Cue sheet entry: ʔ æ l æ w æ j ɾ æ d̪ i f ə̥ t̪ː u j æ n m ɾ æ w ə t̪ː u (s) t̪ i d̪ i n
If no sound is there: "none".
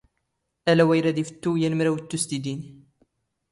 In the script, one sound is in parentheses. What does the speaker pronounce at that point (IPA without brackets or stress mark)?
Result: s